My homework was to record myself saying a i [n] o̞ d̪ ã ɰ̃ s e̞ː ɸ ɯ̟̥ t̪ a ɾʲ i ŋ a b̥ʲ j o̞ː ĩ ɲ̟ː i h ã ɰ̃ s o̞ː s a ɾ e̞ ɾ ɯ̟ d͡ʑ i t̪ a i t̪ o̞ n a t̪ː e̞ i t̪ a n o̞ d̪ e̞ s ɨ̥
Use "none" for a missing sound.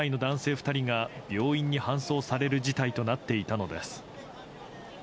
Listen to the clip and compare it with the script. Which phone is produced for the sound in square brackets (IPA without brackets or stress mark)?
n